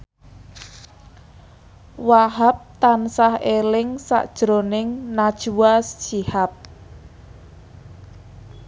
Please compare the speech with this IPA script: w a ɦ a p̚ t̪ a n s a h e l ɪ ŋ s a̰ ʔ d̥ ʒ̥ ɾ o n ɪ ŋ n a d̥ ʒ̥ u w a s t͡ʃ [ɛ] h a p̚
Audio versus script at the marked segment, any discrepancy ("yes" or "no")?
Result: yes